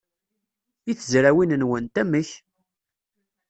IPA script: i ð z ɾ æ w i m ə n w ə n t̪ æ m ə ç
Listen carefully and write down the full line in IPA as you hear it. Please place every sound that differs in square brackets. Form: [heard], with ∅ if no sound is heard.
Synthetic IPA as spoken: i [θ] z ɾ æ w i [n] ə n w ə n t̪ æ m ə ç